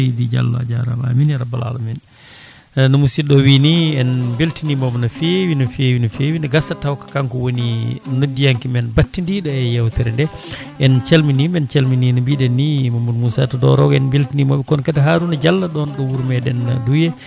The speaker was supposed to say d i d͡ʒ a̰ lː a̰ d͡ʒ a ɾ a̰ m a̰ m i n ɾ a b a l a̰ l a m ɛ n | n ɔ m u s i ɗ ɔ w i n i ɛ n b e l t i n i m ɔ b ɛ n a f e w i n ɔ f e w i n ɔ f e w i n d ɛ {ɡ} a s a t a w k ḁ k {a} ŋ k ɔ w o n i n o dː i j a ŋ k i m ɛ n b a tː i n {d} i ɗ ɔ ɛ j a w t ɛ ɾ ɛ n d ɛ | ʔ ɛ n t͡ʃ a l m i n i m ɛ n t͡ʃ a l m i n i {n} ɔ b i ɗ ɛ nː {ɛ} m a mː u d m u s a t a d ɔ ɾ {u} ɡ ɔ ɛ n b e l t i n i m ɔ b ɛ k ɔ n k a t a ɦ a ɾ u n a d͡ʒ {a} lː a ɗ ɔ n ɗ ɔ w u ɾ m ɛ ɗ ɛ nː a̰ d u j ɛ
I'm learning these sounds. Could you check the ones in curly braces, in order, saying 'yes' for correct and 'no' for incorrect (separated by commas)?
yes, yes, yes, yes, no, no, yes